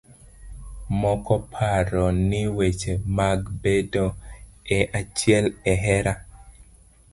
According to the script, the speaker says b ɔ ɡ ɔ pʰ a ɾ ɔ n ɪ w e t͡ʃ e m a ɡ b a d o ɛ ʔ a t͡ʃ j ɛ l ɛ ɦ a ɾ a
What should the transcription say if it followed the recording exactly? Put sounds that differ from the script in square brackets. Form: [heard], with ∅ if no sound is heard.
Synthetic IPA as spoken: [m] ɔ [k] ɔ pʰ a ɾ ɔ n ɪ w e t͡ʃ e m a ɡ b [e] d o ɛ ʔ a t͡ʃ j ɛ l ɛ ɦ [ɛ] ɾ a